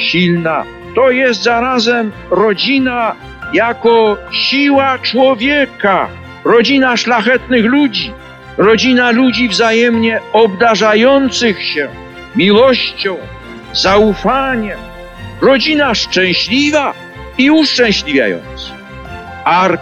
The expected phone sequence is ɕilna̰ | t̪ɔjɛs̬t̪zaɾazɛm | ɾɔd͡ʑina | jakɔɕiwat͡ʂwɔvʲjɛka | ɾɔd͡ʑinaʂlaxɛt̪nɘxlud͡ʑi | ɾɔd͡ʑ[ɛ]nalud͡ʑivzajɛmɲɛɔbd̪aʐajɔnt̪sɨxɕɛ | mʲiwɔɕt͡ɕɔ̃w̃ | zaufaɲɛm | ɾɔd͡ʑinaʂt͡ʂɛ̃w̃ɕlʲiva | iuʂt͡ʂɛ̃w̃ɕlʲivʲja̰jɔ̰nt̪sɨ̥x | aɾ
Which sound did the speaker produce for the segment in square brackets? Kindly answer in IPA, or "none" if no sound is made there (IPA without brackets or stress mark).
i